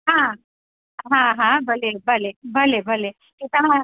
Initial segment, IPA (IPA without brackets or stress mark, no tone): ɦ